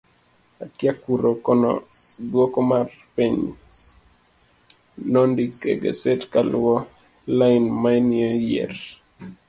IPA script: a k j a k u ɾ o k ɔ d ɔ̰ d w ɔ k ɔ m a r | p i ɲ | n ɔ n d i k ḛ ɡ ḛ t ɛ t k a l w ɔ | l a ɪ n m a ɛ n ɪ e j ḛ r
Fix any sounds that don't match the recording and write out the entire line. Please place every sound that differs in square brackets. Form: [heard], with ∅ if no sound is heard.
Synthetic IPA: a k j a k u ɾ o k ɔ [n] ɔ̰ d w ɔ k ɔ m a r | p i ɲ | n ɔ n d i k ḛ ɡ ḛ [s] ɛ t k a l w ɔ | l a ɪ n m a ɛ n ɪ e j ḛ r